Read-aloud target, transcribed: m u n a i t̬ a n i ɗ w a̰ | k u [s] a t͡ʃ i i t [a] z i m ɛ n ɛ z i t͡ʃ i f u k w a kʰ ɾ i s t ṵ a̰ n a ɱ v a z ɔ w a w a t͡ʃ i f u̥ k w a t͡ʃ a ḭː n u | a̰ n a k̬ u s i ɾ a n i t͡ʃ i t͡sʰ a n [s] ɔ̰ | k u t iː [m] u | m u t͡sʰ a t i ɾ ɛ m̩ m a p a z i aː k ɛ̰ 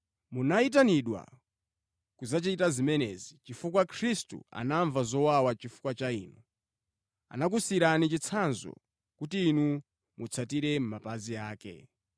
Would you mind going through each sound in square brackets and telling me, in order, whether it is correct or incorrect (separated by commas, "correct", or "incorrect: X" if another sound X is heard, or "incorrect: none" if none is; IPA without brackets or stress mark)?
incorrect: z, correct, incorrect: z, incorrect: n